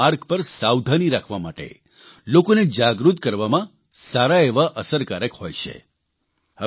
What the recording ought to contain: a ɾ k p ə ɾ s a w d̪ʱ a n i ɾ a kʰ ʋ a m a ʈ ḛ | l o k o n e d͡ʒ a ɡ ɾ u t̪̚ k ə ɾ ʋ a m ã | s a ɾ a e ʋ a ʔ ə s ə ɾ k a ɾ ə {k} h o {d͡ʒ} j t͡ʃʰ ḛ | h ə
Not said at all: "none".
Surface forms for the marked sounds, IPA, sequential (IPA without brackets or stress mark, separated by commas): k, none